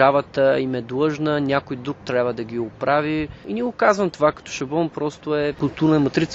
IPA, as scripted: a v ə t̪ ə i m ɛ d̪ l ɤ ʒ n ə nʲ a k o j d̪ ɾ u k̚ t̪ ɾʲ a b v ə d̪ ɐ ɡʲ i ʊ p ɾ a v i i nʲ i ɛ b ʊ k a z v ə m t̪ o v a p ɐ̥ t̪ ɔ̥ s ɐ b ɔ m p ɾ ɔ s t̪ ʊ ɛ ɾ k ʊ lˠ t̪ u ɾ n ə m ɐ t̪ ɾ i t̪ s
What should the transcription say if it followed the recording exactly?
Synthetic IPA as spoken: a v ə t̪ ə i m ɛ d̪ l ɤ ʒ n ə nʲ a k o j d̪ ɾ u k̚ t̪ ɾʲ a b v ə d̪ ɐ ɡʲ i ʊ p ɾ a v i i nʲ i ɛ ɡ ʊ k a z v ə m t̪ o v a k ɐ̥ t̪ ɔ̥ ʃ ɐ b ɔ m p ɾ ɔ s t̪ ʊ ɛ k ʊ lˠ t̪ u ɾ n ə m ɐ t̪ ɾ i t̪ s